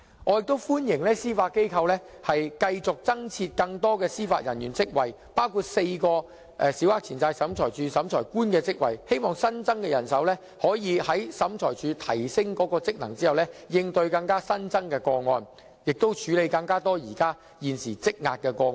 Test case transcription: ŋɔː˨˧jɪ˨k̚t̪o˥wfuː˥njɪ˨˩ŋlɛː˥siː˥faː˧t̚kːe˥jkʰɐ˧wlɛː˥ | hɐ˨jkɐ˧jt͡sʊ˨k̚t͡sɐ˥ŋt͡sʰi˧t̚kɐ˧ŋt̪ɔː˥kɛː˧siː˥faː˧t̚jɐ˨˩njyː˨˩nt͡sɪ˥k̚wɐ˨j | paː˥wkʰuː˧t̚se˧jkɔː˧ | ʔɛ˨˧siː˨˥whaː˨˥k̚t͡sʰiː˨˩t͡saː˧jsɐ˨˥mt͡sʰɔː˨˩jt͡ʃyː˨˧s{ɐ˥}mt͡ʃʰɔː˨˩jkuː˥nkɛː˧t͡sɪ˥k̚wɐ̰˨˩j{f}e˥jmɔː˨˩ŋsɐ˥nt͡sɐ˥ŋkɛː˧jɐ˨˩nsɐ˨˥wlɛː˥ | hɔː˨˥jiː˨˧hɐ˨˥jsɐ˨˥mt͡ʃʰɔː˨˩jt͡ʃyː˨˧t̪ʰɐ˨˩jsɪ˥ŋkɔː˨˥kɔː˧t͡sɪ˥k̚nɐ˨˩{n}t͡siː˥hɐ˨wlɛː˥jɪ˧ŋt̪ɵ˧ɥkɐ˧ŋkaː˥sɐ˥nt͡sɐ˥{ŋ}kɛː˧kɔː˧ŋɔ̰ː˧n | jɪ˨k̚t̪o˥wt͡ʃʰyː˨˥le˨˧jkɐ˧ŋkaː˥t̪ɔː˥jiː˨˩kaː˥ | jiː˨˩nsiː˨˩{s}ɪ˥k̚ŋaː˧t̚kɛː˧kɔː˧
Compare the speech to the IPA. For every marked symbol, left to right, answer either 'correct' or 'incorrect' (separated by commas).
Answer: incorrect, incorrect, incorrect, correct, incorrect